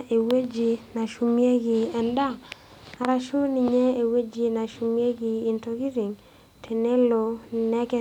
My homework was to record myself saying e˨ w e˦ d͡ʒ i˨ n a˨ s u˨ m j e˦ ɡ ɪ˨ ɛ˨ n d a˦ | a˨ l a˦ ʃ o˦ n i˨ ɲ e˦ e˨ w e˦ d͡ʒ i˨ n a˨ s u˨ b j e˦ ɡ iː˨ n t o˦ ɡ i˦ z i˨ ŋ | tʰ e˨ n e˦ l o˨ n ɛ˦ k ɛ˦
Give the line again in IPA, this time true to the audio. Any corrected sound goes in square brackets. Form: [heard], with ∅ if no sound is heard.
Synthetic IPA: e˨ w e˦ d͡ʒ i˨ n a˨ [ʃ] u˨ m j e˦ ɡ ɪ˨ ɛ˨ n d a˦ | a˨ [ɾ] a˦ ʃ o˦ n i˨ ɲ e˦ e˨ w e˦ d͡ʒ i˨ n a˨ [ʃ] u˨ [m] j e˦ ɡ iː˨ n t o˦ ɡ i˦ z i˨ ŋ | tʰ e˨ n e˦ l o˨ n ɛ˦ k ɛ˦